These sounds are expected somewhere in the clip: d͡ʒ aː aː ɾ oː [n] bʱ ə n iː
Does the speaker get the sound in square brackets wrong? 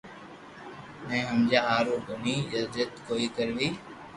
yes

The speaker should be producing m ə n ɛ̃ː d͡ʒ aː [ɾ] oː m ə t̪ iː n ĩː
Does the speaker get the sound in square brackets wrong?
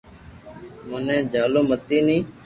yes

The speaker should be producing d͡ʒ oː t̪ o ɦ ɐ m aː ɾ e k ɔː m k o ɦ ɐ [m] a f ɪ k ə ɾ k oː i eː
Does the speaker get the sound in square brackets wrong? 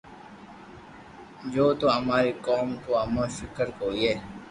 no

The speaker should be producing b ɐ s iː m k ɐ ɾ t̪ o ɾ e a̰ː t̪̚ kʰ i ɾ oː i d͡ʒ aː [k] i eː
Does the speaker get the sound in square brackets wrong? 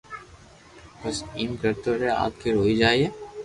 yes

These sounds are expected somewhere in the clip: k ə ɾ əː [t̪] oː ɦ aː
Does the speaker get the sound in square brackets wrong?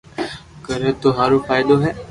no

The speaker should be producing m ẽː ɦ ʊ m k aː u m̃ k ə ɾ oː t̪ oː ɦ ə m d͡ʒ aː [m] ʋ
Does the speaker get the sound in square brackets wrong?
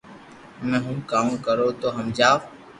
yes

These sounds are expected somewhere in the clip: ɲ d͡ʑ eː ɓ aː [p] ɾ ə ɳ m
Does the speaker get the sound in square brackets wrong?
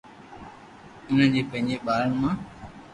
yes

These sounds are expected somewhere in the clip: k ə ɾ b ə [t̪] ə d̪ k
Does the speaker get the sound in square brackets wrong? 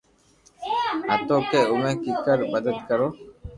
yes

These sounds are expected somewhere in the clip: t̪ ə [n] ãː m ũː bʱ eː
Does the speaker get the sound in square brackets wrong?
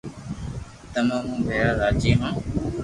yes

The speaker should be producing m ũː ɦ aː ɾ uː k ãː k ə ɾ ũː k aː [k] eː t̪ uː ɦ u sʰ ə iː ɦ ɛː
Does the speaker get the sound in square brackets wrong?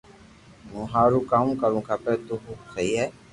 yes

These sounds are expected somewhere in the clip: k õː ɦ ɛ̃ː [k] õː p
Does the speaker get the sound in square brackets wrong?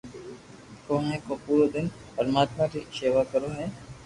no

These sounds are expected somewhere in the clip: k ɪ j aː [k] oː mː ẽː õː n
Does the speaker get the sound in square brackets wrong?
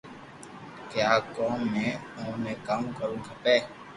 no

